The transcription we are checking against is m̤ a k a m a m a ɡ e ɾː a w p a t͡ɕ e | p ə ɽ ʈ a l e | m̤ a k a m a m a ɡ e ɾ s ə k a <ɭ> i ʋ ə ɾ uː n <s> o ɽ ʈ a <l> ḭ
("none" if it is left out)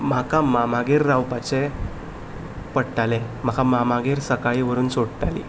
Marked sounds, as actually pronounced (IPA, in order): ɭ, s, l

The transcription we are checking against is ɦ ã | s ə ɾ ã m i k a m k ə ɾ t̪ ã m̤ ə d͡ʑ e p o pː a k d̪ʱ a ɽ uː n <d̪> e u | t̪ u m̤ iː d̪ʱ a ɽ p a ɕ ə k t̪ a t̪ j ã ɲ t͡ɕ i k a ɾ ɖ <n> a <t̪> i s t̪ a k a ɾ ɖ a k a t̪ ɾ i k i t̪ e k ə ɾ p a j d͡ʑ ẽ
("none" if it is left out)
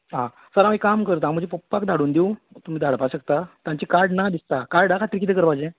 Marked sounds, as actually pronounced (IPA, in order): d̪, n, d̪

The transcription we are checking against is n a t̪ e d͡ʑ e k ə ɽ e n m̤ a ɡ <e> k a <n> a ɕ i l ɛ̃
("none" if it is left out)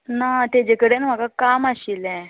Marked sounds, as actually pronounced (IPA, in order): a, m

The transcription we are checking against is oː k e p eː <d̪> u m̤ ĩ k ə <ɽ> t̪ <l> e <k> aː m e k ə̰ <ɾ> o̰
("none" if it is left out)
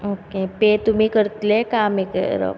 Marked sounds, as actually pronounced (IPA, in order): t̪, ɾ, l, k, ɾ

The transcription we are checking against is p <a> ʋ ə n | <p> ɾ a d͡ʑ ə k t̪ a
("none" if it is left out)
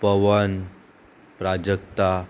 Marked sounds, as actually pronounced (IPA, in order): ə, p

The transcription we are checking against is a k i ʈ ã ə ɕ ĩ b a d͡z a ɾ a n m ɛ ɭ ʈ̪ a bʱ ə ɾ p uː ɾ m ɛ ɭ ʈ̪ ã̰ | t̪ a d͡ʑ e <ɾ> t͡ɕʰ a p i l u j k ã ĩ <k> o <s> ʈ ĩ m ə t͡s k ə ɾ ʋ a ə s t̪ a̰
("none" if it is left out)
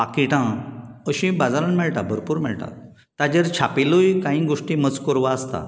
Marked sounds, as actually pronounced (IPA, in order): ɾ, ɡ, ʂ

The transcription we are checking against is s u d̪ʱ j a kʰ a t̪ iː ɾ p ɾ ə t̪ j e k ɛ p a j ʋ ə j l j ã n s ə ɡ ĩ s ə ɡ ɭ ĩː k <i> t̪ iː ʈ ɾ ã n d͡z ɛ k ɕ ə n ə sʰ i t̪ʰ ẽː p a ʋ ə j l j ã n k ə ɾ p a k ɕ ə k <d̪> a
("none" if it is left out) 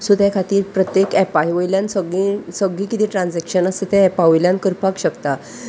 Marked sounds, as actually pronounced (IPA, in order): i, t̪

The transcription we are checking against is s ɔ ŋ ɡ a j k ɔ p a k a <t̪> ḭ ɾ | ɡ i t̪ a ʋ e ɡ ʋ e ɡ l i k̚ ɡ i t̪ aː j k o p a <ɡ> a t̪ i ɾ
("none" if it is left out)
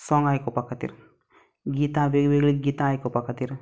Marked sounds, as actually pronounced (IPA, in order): t̪, k

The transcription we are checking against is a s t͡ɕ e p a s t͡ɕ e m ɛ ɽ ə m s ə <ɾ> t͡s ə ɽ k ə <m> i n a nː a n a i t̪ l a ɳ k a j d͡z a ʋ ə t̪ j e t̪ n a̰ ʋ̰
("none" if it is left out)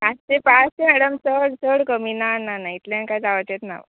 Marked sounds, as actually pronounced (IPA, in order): ɽ, m

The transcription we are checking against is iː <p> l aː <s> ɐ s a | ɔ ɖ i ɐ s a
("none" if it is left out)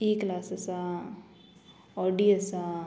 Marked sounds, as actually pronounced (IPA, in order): k, s

